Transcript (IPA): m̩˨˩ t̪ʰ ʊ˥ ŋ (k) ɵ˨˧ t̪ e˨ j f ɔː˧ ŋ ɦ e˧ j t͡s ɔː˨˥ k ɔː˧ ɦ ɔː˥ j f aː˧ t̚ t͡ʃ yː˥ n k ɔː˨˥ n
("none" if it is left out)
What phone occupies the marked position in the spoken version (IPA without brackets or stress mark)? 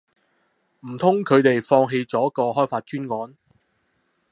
kʰ